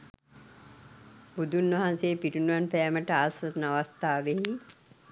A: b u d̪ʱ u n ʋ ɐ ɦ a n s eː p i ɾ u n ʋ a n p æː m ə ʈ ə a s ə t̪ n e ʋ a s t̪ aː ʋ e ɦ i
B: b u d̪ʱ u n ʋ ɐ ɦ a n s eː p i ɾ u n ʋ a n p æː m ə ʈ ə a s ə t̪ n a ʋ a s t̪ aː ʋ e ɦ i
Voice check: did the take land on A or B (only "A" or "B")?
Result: B